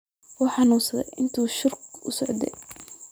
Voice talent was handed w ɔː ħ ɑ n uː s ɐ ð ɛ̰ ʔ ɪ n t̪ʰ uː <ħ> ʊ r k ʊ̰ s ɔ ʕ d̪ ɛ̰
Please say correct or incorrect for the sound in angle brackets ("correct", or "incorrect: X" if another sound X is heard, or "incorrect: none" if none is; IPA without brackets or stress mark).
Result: incorrect: ʃ